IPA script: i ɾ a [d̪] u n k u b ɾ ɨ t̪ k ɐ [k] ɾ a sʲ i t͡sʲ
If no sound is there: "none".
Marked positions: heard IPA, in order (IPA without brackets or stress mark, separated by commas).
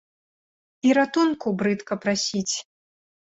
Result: t̪, p